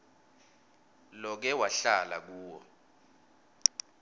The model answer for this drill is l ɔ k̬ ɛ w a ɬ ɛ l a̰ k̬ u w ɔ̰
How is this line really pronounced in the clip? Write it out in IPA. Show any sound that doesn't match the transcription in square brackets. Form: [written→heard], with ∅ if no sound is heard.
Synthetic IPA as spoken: l ɔ k̬ ɛ w a ɬ [ɛ→a] l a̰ k̬ [u→uː] w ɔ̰